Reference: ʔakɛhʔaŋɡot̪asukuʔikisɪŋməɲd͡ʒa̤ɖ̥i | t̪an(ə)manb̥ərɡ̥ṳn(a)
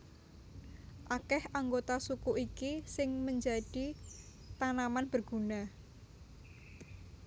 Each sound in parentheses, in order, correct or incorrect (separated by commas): incorrect, correct